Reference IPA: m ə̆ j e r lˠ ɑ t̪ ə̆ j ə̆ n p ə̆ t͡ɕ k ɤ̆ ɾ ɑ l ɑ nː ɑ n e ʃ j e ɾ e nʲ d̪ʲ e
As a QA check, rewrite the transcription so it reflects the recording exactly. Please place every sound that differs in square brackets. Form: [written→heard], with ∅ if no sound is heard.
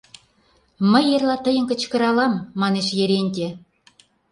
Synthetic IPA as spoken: m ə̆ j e r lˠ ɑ t̪ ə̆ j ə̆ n [p→k] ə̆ t͡ɕ k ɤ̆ ɾ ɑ l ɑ [nː→mː] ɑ n e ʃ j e ɾ e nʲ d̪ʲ e